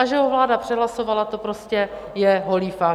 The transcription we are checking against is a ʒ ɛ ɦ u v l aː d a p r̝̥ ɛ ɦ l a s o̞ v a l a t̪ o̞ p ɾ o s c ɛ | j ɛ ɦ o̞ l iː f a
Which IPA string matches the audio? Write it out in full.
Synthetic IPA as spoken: a ʒ ɛ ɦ o v l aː d a p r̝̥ ɛ ɦ l a s o̞ v a l a t̪ o̞ p ɾ o s c ɛ | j ɛ ɦ o̞ l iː f a